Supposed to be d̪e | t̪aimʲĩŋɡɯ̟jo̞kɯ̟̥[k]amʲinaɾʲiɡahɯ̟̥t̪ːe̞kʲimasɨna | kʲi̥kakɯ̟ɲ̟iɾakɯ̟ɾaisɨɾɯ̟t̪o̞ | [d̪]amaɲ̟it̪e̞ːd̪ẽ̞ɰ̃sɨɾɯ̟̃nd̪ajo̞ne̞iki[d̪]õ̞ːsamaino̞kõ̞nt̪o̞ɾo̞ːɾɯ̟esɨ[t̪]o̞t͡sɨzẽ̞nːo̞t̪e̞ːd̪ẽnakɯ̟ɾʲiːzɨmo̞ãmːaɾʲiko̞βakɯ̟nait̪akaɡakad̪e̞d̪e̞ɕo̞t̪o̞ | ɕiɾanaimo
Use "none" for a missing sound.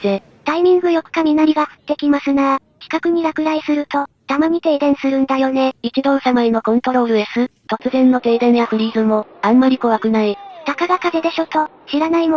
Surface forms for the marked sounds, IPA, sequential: k, t̪, d̪, t̪

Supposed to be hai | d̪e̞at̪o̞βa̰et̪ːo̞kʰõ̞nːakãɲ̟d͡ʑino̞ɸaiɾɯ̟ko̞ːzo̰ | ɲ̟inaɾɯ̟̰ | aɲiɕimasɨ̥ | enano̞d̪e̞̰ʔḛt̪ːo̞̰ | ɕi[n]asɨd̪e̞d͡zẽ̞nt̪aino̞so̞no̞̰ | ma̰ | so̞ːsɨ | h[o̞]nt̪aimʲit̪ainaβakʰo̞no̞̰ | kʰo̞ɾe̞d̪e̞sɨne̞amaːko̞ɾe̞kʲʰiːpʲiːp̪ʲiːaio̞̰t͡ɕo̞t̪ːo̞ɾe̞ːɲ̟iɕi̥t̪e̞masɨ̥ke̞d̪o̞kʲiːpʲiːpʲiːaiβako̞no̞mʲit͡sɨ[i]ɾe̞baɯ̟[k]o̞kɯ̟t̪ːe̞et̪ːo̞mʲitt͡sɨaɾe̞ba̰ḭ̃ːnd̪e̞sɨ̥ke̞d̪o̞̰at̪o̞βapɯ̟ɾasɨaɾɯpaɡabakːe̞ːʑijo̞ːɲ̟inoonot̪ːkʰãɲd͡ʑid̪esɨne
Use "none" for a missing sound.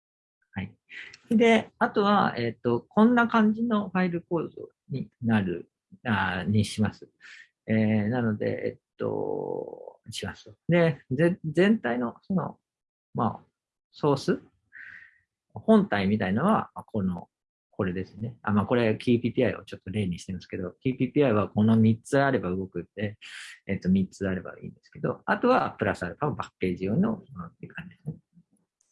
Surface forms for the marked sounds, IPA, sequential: m, õ̞, a, ɡ

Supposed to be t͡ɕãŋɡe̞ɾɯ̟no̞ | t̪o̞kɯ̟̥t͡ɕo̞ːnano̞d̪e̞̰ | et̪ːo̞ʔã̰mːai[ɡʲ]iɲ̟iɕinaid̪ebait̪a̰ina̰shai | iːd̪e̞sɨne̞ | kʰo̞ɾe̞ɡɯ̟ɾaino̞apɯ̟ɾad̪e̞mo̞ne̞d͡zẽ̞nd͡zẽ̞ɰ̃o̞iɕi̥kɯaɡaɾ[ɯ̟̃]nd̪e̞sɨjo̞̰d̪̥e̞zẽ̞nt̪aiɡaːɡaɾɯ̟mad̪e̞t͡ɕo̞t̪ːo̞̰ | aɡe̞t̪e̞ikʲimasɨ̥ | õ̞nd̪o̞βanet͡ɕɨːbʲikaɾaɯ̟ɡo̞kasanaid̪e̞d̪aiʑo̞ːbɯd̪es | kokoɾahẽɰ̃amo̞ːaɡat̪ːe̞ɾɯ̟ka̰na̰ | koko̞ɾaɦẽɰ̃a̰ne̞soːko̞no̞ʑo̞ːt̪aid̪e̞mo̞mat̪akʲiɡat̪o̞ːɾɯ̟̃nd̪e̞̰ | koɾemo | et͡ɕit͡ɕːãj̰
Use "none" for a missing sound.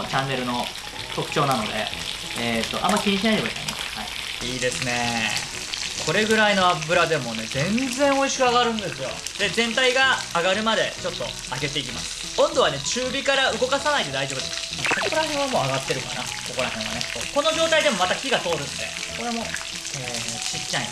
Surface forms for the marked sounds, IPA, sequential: kʲ, ɯ̟̃

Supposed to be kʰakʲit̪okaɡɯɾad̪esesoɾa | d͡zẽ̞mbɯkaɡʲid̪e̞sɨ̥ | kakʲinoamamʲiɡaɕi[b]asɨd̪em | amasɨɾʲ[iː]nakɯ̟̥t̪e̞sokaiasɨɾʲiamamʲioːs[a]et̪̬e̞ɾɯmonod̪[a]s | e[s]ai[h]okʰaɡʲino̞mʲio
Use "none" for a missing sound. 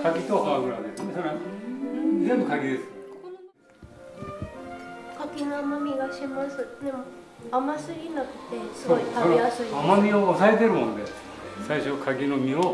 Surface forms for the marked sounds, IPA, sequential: m, i, a, e, s, ɕ

